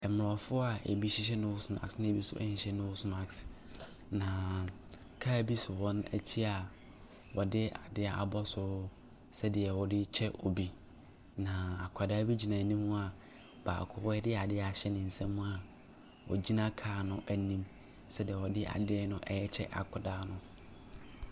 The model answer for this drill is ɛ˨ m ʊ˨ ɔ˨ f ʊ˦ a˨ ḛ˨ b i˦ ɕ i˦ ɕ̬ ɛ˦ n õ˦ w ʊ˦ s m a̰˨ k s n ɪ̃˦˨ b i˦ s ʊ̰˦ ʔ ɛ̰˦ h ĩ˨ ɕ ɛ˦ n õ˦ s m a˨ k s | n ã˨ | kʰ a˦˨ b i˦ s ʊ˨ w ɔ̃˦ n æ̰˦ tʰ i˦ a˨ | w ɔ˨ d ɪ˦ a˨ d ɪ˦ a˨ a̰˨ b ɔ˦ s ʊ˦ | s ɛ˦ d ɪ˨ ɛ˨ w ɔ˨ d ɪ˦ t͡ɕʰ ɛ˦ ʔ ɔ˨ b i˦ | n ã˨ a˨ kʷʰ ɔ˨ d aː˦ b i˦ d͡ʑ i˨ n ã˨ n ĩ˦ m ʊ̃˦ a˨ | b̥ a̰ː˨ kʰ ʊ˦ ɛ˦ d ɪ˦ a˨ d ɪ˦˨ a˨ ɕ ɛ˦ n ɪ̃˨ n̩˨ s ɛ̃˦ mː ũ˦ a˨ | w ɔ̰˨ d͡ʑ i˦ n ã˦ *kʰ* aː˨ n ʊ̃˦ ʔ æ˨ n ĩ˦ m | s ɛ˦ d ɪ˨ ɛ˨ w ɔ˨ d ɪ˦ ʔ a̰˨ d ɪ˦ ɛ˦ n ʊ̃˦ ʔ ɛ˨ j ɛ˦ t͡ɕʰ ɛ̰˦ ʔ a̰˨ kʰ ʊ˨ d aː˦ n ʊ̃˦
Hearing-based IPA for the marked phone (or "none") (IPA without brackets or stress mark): kʰ